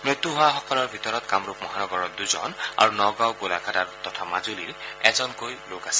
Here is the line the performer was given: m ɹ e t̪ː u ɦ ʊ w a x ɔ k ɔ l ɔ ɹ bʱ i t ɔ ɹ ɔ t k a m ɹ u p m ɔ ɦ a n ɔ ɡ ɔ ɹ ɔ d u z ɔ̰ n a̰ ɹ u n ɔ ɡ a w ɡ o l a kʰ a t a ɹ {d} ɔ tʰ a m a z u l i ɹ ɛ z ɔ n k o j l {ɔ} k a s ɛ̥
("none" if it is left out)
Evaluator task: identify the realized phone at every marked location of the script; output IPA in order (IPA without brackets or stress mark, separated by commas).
t, o